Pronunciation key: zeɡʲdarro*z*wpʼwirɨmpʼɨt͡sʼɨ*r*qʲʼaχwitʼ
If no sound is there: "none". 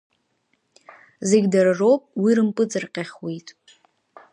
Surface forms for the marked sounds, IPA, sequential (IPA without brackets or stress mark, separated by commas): none, r